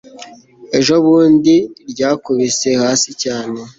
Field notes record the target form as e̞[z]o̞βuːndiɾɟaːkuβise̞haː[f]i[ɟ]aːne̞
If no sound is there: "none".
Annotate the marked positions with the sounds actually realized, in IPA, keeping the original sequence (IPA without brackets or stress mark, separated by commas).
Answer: ʒ, s, c